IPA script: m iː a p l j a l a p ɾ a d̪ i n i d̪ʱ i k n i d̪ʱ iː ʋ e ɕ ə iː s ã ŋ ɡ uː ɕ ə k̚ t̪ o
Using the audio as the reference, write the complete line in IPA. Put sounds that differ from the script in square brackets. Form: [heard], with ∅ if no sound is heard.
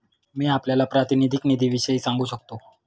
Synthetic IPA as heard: m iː a p l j a l a p ɾ a [t̪] i n i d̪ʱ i k n i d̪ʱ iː ʋ [i] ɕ ə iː s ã ŋ ɡ uː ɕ ə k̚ t̪ o